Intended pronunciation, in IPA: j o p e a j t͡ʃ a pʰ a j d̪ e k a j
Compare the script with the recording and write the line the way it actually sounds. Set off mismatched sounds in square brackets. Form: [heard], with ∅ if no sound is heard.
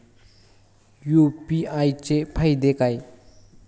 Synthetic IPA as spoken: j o p [i] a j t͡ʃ [e] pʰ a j d̪ e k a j